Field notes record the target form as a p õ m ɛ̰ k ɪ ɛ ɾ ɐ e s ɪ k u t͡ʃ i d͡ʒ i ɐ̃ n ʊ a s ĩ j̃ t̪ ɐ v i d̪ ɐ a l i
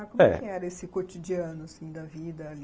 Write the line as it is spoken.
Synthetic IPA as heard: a k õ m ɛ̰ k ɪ ɛ ɾ ɐ e s ɪ k o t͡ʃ i d͡ʒ i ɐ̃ n ʊ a s ĩ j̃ d̪ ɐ v i d̪ ɐ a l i